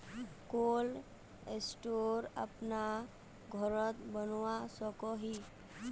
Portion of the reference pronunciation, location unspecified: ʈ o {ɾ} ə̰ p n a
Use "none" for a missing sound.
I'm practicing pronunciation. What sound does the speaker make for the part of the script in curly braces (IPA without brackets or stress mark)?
ɾ